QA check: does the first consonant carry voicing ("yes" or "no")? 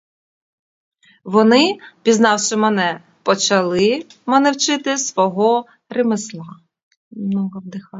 yes